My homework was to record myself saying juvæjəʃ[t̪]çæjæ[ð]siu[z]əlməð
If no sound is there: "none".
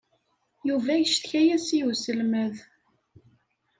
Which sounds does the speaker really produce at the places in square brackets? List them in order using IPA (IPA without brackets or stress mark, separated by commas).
t̪, none, s